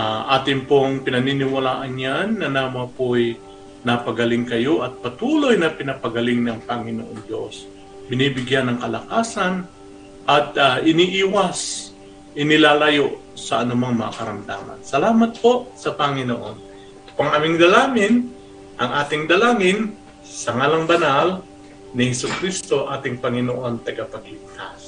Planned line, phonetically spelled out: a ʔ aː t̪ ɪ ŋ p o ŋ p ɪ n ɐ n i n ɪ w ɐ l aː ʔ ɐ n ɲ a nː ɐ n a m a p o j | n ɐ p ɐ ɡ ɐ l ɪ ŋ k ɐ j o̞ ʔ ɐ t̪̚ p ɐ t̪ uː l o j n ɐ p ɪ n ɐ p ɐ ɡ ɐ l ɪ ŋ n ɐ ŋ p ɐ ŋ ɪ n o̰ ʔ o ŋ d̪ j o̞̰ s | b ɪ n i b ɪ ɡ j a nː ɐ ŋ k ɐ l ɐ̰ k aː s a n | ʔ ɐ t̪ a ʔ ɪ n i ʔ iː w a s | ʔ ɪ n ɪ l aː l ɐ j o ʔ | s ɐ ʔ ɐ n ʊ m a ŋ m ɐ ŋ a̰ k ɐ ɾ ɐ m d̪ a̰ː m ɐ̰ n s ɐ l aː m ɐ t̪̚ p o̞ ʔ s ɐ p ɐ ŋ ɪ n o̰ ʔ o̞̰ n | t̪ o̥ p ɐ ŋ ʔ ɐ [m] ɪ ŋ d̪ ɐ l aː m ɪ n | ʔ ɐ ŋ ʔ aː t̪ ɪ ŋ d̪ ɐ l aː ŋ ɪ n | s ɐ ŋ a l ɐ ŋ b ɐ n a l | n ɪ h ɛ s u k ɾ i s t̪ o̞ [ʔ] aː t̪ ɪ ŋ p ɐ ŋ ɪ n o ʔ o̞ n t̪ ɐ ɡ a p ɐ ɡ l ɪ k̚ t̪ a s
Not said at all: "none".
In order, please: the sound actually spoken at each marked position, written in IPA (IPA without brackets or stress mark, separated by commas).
m, ʔ